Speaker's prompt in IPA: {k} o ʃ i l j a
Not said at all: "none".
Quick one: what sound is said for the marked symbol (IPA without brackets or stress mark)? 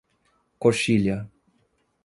k